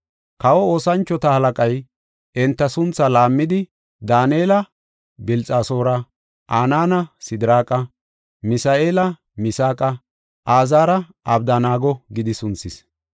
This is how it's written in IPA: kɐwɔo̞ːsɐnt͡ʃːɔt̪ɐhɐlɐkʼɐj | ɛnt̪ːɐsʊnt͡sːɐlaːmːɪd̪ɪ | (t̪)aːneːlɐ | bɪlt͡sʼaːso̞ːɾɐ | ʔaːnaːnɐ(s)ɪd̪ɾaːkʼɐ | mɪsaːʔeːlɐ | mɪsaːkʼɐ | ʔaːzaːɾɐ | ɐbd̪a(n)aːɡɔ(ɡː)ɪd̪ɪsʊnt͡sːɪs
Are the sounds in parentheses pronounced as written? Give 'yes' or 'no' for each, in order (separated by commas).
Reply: no, yes, yes, no